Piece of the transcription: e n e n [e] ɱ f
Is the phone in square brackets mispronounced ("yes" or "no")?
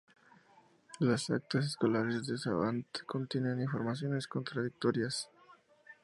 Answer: yes